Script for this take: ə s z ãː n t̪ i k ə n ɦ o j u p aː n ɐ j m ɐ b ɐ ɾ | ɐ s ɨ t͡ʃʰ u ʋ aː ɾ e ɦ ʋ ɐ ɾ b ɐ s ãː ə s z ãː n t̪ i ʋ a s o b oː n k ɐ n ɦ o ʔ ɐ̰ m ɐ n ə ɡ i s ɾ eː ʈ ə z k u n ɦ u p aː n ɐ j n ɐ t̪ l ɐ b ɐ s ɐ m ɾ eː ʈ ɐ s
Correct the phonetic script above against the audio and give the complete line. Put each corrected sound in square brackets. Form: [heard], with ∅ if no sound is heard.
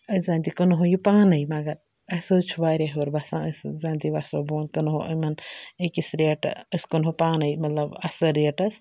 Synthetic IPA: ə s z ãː n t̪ i k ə n ɦ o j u p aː n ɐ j m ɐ [ɡ] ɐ ɾ | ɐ s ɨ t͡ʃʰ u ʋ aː ɾ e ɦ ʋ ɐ ɾ b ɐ s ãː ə s z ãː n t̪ i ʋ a s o b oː n k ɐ n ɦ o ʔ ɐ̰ m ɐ n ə [k] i s ɾ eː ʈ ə [s] k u n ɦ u p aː n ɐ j [m] ɐ t̪ l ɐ b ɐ s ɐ [∅] ɾ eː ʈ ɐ s